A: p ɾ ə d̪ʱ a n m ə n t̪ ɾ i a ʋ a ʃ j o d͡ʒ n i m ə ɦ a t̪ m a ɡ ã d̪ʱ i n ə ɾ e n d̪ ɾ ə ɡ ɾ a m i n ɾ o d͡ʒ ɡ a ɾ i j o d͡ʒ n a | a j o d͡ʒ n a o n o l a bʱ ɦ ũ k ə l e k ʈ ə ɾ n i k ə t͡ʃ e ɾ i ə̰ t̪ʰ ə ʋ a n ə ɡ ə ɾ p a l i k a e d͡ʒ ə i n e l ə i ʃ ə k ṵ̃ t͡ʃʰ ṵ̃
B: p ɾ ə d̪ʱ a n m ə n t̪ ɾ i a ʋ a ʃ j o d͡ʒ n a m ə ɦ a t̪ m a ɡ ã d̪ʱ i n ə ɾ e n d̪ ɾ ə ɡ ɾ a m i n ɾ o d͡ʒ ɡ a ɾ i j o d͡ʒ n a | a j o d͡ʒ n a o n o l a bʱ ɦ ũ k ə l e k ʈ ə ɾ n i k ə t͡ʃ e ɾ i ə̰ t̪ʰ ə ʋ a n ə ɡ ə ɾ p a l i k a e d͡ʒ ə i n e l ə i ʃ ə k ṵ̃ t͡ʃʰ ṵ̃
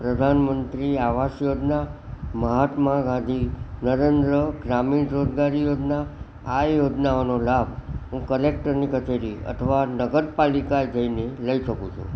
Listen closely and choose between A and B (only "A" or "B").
B